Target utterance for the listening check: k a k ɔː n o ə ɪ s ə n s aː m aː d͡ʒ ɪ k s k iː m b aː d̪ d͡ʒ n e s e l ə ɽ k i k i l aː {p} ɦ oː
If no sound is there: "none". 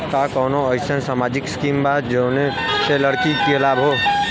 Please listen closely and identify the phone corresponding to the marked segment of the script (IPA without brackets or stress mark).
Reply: b